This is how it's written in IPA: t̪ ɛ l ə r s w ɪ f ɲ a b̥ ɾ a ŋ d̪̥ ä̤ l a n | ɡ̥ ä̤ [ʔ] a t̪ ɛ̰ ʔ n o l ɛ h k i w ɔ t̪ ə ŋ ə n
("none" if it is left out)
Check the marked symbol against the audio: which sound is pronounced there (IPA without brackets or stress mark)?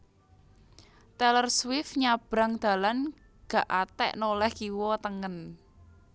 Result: ʔ